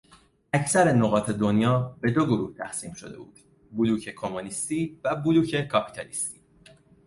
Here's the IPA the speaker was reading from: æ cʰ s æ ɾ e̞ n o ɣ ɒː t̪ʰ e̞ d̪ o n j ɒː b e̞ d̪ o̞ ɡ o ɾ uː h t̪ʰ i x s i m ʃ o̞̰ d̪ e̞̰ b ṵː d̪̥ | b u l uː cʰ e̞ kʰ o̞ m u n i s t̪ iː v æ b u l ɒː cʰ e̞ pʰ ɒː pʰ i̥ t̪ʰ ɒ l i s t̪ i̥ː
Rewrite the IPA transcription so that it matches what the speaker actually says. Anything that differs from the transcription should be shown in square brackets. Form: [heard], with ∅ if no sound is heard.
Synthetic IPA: æ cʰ s æ ɾ e̞ n o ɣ ɒː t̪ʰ e̞ d̪ o n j ɒː b e̞ d̪ o̞ ɡ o ɾ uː h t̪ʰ [æ] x s [iː] m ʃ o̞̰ d̪ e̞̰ b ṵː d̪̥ | b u l uː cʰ e̞ kʰ o̞ m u n i s t̪ iː v æ b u l [uː] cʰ e̞ [kʰ] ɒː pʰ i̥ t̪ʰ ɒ l i s t̪ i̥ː